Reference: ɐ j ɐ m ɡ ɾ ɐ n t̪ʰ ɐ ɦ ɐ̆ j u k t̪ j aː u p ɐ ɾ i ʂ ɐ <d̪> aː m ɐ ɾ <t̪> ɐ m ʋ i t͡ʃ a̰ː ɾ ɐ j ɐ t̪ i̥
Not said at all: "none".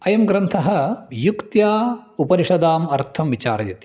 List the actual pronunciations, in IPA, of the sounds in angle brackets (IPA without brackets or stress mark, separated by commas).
d̪, t̪ʰ